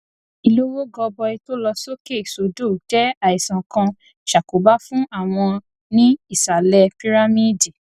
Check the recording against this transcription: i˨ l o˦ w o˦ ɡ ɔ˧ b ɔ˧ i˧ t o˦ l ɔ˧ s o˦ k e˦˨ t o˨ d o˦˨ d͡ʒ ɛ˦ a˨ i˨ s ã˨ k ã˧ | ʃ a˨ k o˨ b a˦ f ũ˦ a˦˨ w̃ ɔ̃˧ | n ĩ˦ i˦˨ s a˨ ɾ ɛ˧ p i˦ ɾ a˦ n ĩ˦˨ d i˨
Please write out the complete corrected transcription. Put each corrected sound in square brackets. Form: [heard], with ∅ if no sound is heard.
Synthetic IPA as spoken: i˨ l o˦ w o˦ ɡ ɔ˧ b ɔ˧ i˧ t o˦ l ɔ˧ s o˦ k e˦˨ [s] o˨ d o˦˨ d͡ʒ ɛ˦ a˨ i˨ s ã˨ k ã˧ | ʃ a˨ k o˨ b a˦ f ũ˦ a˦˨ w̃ ɔ̃˧ | n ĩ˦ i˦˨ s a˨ [l] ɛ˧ p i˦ ɾ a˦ [m] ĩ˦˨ d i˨